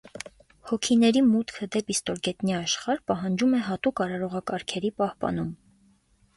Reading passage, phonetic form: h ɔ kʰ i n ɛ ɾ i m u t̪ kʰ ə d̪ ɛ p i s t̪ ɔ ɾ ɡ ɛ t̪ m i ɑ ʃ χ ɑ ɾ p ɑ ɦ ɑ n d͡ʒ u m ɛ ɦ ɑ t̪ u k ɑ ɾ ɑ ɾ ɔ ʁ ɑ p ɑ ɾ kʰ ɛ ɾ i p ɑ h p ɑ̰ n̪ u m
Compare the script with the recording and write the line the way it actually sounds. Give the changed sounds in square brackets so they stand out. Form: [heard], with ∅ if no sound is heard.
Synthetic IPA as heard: h ɔ kʰ i n ɛ ɾ i m u t̪ kʰ ə d̪ ɛ p i s t̪ ɔ ɾ ɡ ɛ t̪ [n] i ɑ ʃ χ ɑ ɾ p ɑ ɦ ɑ n d͡ʒ u m ɛ ɦ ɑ t̪ u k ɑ ɾ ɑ ɾ ɔ ʁ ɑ [k] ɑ ɾ kʰ ɛ ɾ i p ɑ h p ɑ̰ n̪ u m